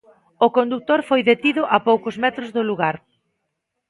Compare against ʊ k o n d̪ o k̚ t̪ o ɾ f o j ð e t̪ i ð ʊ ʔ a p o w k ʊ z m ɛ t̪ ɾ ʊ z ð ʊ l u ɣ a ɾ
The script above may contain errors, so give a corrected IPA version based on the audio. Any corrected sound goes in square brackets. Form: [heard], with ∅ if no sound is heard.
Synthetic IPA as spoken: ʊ k o n d̪ [u] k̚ t̪ o ɾ f o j ð e t̪ i ð ʊ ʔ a p o w k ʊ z m ɛ t̪ ɾ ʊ z ð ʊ l u ɣ a ɾ